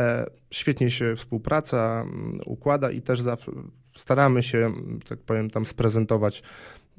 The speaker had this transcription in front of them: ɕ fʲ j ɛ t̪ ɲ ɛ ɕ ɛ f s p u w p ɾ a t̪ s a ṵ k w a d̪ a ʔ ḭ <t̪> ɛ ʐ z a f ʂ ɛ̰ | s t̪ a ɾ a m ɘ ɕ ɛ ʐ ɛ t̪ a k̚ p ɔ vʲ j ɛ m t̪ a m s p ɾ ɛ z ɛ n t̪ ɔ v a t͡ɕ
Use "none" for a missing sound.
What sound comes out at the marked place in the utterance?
t̪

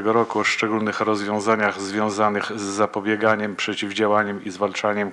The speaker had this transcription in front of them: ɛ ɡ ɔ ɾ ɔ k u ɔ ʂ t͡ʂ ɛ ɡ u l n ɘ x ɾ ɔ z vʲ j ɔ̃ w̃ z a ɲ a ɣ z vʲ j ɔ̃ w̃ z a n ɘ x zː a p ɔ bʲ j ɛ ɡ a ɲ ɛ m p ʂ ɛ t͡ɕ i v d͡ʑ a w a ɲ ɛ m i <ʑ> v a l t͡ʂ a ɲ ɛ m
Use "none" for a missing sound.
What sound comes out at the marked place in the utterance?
z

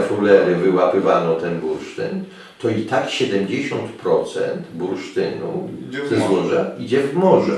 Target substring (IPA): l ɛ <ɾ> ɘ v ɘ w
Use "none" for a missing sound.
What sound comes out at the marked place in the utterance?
ɾ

